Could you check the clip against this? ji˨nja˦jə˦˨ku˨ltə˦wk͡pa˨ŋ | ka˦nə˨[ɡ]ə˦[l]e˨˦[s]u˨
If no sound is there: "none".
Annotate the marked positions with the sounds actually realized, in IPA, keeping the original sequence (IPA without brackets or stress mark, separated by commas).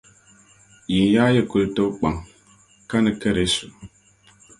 k, ɾ, s